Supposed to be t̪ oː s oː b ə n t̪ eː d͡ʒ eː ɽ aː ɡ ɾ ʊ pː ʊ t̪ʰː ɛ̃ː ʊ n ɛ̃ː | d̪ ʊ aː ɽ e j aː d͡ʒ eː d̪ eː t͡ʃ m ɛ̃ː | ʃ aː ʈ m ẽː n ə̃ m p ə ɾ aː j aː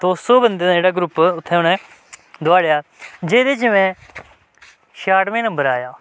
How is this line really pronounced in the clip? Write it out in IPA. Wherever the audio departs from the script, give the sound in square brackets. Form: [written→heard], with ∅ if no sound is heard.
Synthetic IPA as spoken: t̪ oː s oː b ə n [t̪→d̪] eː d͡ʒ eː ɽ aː ɡ ɾ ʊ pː ʊ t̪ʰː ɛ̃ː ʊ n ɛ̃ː | d̪ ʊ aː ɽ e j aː d͡ʒ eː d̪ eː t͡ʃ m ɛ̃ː | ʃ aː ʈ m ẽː n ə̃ m [p→b] ə ɾ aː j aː